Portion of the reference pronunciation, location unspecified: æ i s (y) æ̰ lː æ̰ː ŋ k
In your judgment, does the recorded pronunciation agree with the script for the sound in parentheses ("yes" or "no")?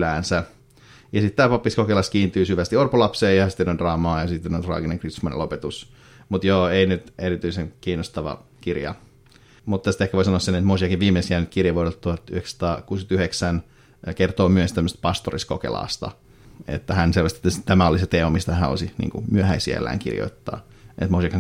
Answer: no